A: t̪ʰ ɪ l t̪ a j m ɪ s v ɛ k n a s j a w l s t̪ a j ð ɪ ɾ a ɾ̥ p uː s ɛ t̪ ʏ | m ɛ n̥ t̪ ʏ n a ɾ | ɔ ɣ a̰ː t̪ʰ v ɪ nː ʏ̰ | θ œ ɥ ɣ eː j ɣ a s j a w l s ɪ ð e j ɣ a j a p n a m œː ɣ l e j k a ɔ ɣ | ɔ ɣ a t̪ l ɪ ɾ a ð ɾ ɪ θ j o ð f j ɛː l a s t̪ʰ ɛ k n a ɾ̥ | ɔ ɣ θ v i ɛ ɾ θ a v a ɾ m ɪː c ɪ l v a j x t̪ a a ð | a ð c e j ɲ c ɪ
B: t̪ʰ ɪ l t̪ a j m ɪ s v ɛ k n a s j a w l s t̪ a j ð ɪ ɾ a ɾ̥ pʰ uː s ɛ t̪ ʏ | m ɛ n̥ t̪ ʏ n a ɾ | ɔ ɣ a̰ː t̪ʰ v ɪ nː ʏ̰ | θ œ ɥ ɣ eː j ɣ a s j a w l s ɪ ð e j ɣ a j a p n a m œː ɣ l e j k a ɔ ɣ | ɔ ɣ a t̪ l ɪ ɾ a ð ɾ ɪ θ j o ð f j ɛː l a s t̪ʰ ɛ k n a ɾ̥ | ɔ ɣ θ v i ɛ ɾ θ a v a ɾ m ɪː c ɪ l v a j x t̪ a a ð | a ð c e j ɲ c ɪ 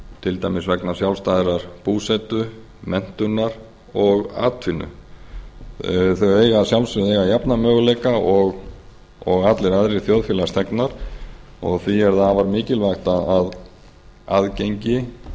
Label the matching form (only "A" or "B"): A